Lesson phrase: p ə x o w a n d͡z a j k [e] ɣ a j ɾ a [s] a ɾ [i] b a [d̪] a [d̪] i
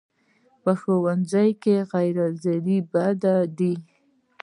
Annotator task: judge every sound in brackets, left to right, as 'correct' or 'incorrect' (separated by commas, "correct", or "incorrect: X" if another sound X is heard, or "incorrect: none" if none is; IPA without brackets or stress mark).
correct, incorrect: z, correct, correct, correct